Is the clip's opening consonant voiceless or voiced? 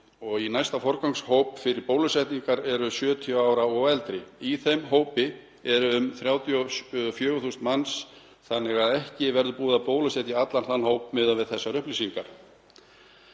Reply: voiced